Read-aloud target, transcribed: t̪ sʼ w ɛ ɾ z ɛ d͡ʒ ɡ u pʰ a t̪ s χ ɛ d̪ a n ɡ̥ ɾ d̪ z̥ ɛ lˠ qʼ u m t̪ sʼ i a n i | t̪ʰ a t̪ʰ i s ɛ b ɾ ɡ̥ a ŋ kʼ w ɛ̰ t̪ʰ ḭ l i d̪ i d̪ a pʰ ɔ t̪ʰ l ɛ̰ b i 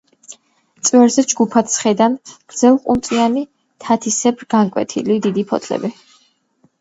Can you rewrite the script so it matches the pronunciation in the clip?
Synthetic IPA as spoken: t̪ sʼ w ɛ ɾ z ɛ d͡ʒ ɡ u pʰ a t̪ s χ ɛ d̪ a n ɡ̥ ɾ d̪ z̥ ɛ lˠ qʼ u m t̪ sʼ i a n i | t̪ʰ a t̪ʰ i s ɛ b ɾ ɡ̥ a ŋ kʼ w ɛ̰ t̪ʰ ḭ l i d̪ i d̪ i pʰ ɔ t̪ʰ l ɛ̰ b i

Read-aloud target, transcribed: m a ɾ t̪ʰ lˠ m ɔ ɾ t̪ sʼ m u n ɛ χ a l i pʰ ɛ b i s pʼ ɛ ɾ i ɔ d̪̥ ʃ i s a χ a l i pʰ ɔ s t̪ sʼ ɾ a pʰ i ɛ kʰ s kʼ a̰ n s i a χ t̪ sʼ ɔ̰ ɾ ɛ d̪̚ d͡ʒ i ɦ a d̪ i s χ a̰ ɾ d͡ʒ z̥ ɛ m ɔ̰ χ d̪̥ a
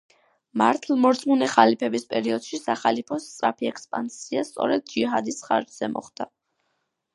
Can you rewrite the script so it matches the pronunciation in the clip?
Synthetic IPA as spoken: m a ɾ t̪ʰ lˠ m ɔ ɾ t̪ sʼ m u n ɛ χ a l i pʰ ɛ b i s pʼ ɛ ɾ i ɔ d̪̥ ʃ i s a χ a l i pʰ ɔ s t̪ sʼ ɾ a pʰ i ɛ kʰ s pʼ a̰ n s i a s t̪ sʼ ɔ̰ ɾ ɛ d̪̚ d͡ʒ i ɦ a d̪ i s χ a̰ ɾ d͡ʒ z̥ ɛ m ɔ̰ χ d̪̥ a

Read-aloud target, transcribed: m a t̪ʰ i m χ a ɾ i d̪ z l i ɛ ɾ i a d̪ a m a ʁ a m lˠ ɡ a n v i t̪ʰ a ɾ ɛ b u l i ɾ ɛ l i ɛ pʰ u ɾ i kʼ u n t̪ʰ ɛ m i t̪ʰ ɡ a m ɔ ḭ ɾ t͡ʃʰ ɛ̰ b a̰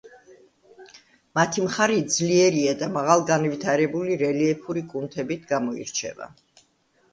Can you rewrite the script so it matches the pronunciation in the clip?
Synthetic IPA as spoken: m a t̪ʰ i m χ a ɾ i d̪ z l i ɛ ɾ i a d̪ a m a ʁ a lˠ ɡ a n v i t̪ʰ a ɾ ɛ b u l i ɾ ɛ l i ɛ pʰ u ɾ i kʼ u n t̪ʰ ɛ b i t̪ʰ ɡ a m ɔ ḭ ɾ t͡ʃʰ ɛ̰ v a̰

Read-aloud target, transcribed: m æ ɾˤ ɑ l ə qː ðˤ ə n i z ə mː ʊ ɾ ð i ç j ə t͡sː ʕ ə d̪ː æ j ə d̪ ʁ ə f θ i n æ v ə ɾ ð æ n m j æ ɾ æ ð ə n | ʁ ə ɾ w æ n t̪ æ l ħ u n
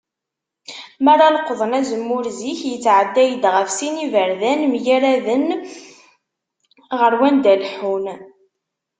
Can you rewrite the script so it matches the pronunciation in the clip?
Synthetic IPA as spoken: m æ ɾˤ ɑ l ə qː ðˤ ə n æ z ə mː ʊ ɾ z i ç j ə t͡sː ʕ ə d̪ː æ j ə d̪ ʁ ə f s i n i v ə ɾ ð æ n m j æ ɾ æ ð ə n | ʁ ə ɾ w æ n d̪ æ l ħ u n

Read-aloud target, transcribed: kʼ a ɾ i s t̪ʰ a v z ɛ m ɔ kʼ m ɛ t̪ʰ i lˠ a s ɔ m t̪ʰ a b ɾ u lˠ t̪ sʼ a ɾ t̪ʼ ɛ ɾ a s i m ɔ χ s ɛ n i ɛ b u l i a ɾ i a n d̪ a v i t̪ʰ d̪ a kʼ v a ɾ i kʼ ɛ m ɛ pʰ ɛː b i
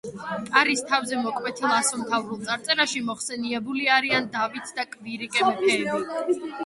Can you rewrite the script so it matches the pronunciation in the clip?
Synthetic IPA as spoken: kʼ a ɾ i s t̪ʰ a v z ɛ m ɔ kʼ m ɛ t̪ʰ i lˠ a s ɔ m t̪ʰ a v ɾ u lˠ t̪ sʼ a ɾ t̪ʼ ɛ ɾ a ʃ i m ɔ χ s ɛ n i ɛ b u l i a ɾ i a n d̪ a v i t̪ʰ d̪ a kʼ v i ɾ i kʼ ɛ m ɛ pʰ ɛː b i

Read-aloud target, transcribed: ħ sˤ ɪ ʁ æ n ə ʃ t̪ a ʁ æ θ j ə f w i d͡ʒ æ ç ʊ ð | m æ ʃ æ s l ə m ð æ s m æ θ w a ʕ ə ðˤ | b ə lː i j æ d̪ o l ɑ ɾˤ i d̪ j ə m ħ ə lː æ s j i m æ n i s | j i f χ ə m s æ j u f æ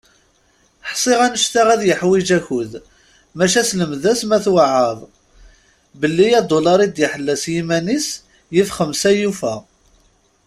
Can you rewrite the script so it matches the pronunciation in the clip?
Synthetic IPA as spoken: ħ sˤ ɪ ʁ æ n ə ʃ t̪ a ʁ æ ð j ə ħ w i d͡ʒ æ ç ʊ ð | m æ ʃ æ s l ə m ð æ s m æ θ w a ʕ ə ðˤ | b ə lː i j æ d̪ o l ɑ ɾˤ i d̪ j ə ħ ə lː æ s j i m æ n i s | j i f χ ə m s æ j u f æ

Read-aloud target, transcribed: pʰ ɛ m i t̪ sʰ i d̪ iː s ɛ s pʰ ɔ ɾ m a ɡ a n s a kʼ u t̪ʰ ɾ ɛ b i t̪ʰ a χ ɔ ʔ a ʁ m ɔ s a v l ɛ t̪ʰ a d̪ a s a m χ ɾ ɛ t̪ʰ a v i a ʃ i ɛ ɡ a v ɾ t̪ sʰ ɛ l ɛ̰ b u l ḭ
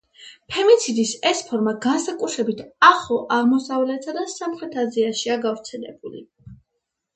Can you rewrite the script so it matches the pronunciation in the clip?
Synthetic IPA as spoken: pʰ ɛ m i t̪ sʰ i d̪ i s ɛ s pʰ ɔ ɾ m a ɡ a n s a kʼ u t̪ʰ ɾ ɛ b i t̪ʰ a χ ɔ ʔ a ʁ m ɔ s a v l ɛ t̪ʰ a d̪ a s a m χ ɾ ɛ t̪ʰ a z i a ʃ i a ɡ a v ɾ t̪ sʰ ɛ l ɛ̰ b u l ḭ

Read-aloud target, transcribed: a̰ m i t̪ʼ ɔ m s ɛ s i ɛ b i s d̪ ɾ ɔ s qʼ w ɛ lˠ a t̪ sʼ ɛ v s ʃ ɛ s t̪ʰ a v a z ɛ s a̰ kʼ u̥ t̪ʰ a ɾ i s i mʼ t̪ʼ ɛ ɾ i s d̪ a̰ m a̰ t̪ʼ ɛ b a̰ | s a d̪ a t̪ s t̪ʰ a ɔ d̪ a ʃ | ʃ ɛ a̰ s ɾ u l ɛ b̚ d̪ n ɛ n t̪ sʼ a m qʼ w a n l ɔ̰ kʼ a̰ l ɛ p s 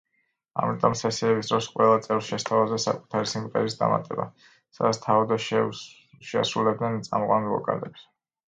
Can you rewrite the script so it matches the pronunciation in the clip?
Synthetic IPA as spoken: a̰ m i t̪ʼ ɔ m s ɛ s i ɛ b i s d̪ ɾ ɔ s qʼ w ɛ lˠ a t̪ sʼ ɛ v s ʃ ɛ s t̪ʰ a v a z ɛ s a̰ kʼ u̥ t̪ʰ a ɾ i s i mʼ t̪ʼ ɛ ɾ i s d̪ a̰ m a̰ t̪ʼ ɛ b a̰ | s a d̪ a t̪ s t̪ʰ a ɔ d̪ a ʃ | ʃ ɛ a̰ s ɾ u l ɛ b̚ d̪ n ɛ n t̪ sʼ a m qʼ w a n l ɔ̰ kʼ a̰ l ɛ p s

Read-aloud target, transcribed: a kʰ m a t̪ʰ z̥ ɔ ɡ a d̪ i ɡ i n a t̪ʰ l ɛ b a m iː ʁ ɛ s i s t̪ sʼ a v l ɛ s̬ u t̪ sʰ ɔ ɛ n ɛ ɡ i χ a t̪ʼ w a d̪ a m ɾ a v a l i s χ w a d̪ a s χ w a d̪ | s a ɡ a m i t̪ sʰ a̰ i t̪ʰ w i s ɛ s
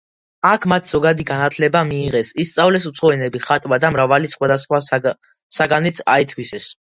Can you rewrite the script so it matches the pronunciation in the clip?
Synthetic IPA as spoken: a kʰ m a t̪ʰ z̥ ɔ ɡ a d̪ i ɡ a n a t̪ʰ l ɛ b a m iː ʁ ɛ s i s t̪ sʼ a v l ɛ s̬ u t̪ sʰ ɔ ɛ n ɛ b i χ a t̪ʼ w a d̪ a m ɾ a v a l i s χ w a d̪ a s χ w a | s a ɡ a n i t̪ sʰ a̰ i t̪ʰ w i s ɛ s

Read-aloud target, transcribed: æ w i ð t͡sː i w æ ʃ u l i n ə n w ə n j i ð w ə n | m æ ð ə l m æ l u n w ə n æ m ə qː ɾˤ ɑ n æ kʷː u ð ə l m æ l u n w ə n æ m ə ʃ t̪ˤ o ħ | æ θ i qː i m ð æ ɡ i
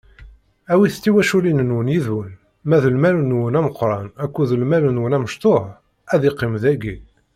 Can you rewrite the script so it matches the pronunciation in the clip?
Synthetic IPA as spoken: æ w i θ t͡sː i w æ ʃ u l i n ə n w ə n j i ð w ə n | m æ ð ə l m æ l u n w ə n æ m ə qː ɾˤ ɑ n æ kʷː u ð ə l m æ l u n w ə n æ m ə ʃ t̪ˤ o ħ | æ ð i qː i m ð æ ɡ i

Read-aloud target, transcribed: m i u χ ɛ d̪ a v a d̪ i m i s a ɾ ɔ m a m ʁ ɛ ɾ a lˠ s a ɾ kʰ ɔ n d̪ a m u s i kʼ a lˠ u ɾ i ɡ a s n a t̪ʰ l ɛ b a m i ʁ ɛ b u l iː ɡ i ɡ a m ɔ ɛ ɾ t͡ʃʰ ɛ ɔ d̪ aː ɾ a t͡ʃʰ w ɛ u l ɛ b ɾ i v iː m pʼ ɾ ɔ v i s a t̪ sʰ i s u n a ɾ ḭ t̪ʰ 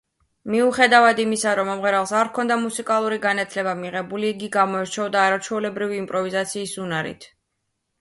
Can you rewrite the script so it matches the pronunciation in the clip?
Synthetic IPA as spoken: m i u χ ɛ d̪ a v a d̪ i m i s a ɾ ɔ m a m ʁ ɛ ɾ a lˠ s a ɾ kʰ ɔ n d̪ a m u s i kʼ a lˠ u ɾ i ɡ a n a t̪ʰ l ɛ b a m i ʁ ɛ b u l iː ɡ i ɡ a m ɔ ɛ ɾ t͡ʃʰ ɛ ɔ d̪ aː ɾ a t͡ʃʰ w ɛ u l ɛ b ɾ i v iː m pʼ ɾ ɔ v i z a t̪ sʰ iː s u n a ɾ ḭ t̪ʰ

